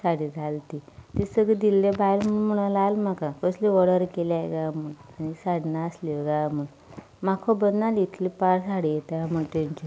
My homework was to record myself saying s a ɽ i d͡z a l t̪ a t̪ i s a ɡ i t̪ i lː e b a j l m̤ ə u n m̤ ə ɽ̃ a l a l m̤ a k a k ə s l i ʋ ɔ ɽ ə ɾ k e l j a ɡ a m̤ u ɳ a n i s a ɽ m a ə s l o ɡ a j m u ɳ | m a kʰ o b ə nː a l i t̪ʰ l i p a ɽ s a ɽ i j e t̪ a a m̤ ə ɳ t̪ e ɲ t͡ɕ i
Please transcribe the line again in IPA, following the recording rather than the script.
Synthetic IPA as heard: s a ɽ i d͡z a l t̪ i t̪ i s ə ɡ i d̪ i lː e b a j l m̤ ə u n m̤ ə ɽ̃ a l a l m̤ a k a k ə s l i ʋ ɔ ɽ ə ɾ k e l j a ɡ a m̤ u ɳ a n i s a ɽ n a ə s l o ɡ a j m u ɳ | m a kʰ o b ə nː a l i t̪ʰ l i p a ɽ s a ɽ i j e t̪ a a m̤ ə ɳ t̪ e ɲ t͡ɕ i